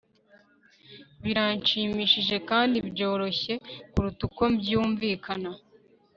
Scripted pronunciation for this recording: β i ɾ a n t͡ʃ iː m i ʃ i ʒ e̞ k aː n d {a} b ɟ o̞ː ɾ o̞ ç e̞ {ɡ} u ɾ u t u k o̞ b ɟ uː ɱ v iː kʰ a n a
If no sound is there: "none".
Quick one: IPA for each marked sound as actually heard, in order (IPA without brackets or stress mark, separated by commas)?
i, k